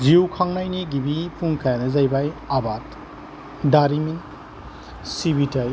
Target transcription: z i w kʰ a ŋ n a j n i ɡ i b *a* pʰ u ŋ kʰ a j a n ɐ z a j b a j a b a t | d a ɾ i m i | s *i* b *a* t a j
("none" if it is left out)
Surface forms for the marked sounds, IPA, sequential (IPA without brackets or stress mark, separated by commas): i, i, i